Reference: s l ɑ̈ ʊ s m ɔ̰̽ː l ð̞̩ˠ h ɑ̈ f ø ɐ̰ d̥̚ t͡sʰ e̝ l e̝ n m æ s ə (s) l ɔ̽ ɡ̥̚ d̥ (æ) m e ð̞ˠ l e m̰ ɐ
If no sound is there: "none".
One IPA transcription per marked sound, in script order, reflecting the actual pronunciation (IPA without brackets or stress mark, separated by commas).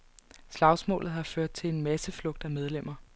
f, æ